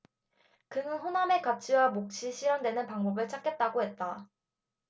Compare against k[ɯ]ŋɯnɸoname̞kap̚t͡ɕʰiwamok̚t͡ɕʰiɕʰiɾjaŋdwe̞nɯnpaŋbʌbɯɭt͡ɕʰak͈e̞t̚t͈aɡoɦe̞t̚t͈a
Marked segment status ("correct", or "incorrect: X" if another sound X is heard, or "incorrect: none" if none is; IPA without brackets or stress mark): correct